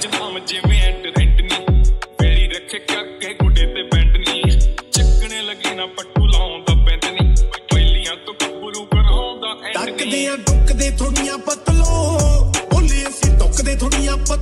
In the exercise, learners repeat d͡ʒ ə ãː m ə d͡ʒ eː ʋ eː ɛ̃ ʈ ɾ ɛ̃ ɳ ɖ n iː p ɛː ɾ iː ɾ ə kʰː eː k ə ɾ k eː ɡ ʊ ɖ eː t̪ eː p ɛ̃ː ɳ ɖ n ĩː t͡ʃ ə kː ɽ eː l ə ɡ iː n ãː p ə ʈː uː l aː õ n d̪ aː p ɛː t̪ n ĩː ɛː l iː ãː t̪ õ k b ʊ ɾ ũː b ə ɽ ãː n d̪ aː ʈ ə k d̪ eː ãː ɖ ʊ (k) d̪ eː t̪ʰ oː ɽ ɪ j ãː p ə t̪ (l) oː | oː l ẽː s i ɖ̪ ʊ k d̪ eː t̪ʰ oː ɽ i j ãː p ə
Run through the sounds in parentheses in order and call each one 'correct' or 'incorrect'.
correct, correct

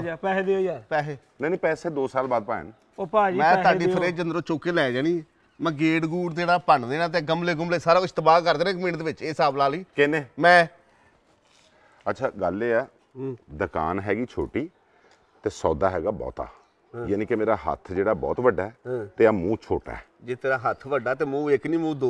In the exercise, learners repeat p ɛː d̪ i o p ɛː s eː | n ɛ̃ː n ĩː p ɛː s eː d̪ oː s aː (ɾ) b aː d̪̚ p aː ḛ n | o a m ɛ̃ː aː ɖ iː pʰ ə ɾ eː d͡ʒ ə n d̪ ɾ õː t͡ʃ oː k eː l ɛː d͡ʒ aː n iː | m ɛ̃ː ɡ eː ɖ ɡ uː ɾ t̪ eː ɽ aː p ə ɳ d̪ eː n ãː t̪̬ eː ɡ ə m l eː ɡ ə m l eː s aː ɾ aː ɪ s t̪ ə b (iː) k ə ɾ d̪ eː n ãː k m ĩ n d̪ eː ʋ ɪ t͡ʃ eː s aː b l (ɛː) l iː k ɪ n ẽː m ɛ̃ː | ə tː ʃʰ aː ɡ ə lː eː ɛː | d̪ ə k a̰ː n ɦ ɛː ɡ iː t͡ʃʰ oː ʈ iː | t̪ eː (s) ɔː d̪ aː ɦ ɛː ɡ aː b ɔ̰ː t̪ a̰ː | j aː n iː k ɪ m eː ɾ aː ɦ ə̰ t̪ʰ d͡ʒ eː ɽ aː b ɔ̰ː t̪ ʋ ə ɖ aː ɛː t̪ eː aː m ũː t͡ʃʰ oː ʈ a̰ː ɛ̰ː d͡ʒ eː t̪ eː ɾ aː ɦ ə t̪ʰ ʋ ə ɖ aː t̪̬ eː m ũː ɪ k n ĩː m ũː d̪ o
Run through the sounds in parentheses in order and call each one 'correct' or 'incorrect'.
incorrect: l, incorrect: aː, incorrect: aː, correct

